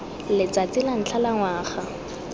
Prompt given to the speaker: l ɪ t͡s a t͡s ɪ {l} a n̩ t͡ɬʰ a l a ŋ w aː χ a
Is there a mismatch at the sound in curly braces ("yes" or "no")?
no